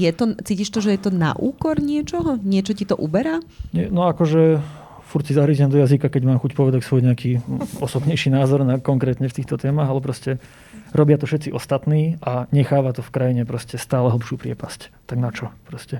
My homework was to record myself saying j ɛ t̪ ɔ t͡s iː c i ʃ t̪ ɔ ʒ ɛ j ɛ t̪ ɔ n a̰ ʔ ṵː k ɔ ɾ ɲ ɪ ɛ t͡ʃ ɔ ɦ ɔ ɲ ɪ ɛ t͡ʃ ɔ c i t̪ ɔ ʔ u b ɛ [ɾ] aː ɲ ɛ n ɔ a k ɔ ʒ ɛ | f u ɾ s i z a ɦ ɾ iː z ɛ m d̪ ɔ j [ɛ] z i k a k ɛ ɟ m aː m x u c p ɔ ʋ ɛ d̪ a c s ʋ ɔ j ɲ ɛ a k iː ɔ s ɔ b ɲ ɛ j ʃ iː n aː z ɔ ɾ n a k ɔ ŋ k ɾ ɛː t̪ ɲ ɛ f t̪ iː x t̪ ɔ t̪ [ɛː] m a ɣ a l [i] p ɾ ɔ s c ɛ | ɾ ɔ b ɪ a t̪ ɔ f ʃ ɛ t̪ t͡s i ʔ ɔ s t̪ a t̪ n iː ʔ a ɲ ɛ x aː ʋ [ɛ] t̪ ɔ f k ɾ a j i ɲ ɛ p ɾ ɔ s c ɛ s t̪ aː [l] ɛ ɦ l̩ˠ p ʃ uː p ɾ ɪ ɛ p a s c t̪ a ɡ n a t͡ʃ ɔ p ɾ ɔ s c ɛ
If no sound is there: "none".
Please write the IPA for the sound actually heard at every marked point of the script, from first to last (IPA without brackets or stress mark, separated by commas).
ɾ, a, ɛː, ɛ, a, l